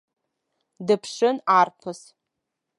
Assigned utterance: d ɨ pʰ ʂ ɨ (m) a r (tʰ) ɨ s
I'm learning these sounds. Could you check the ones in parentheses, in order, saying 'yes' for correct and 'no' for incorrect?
no, no

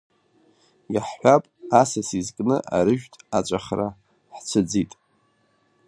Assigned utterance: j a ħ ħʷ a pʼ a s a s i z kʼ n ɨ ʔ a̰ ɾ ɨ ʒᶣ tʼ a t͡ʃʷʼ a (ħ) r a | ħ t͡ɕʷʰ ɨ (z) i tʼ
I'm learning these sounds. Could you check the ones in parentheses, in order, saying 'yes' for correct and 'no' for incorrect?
no, no

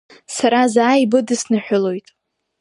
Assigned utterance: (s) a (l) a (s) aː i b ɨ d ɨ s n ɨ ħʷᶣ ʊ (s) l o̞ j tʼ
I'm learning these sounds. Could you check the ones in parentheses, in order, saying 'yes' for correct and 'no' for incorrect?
yes, no, no, no

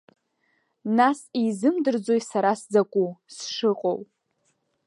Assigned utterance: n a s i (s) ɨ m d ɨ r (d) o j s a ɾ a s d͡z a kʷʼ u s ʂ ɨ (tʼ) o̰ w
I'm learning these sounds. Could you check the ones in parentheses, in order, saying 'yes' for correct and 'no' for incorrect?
no, no, no

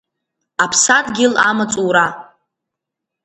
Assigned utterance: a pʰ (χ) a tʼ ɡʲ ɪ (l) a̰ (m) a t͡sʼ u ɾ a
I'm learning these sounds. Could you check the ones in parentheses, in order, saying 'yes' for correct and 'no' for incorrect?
no, yes, yes

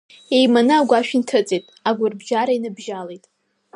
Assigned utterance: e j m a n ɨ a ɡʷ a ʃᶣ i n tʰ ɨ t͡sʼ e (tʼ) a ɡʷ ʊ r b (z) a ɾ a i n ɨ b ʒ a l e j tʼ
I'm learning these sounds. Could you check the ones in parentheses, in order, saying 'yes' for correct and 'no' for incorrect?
yes, no

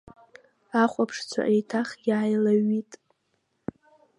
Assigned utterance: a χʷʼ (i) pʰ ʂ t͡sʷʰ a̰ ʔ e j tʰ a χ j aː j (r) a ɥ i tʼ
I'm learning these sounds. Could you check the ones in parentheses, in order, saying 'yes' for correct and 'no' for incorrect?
no, no

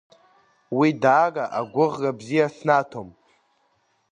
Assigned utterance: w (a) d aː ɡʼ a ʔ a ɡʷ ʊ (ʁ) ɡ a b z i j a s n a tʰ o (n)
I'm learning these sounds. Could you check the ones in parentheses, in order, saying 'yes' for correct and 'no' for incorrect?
no, yes, no

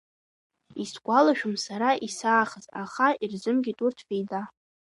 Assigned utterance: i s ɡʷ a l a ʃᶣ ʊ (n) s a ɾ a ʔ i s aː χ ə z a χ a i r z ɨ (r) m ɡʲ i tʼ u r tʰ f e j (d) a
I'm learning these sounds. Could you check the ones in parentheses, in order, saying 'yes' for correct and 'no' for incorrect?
no, no, yes

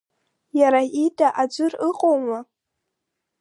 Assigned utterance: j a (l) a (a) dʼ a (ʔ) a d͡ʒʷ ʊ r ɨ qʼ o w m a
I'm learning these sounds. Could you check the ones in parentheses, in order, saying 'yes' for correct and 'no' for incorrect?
no, no, yes

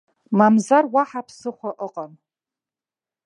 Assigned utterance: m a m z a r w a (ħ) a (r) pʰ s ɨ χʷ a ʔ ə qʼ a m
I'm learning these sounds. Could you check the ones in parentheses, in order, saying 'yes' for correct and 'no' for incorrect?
yes, no

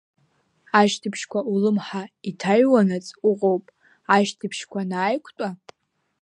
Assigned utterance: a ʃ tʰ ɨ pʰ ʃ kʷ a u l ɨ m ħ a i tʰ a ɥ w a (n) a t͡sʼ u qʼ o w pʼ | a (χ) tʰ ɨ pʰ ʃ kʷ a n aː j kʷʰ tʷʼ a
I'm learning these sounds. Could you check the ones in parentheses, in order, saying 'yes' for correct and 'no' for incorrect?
yes, no

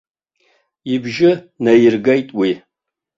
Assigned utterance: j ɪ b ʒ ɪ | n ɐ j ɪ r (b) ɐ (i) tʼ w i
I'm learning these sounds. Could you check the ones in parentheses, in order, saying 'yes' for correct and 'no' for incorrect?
no, no

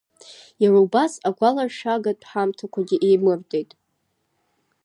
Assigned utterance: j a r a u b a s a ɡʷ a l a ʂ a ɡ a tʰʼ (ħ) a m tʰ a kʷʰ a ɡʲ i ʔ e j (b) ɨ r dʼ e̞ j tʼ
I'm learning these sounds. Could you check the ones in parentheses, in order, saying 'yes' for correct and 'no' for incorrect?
yes, no

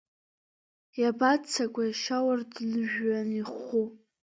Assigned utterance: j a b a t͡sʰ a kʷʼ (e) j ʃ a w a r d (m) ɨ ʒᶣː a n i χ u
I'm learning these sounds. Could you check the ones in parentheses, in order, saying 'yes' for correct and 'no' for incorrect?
no, no

